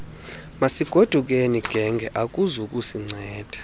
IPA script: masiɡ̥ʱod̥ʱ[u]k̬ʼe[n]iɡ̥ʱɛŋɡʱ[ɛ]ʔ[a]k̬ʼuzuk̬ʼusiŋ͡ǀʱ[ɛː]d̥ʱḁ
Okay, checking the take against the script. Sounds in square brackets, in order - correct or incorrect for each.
correct, correct, correct, correct, correct

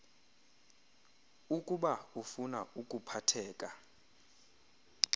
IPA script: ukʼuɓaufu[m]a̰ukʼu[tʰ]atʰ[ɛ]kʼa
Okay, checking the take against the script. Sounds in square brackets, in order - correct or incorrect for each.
incorrect: n, incorrect: pʰ, incorrect: ɛː

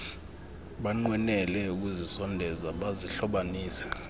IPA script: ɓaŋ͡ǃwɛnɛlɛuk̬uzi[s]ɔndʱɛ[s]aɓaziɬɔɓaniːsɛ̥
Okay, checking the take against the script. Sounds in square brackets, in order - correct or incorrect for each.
correct, incorrect: z

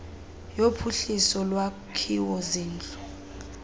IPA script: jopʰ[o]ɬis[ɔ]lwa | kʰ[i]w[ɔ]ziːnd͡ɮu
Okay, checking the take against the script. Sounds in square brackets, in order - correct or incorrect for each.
incorrect: u, correct, correct, correct

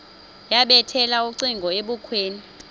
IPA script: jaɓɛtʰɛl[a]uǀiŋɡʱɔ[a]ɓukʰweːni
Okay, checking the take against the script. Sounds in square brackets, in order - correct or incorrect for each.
correct, incorrect: e

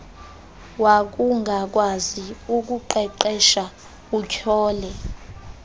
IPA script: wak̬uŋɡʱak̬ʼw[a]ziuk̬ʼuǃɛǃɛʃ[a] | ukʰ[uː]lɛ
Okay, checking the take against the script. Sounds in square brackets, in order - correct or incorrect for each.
correct, correct, incorrect: ɔː

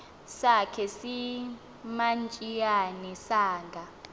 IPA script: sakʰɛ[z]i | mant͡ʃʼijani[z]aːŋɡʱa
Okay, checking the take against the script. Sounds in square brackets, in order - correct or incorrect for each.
incorrect: s, incorrect: s

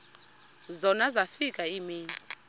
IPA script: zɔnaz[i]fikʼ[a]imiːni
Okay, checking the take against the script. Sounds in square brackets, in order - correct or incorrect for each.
incorrect: a, correct

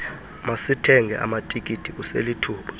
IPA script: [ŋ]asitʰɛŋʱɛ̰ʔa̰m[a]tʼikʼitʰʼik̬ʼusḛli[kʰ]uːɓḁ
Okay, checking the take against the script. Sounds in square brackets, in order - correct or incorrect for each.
incorrect: m, correct, incorrect: tʰ

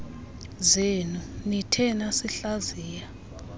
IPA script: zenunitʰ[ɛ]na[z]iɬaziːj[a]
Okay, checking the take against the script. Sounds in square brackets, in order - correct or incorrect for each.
correct, incorrect: s, correct

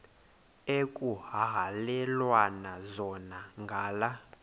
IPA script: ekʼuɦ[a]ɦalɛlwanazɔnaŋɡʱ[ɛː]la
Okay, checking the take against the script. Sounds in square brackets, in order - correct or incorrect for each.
correct, incorrect: aː

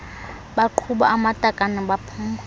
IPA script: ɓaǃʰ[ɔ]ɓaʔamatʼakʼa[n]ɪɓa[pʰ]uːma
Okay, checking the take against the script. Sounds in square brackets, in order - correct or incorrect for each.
incorrect: u, correct, correct

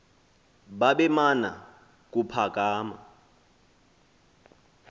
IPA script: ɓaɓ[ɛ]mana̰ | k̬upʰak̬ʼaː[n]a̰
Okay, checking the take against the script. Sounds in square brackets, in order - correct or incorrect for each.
correct, incorrect: m

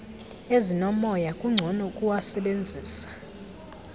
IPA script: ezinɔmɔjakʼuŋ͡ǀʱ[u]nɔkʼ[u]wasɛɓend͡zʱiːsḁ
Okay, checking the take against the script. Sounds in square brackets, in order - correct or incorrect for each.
incorrect: ɔ, correct

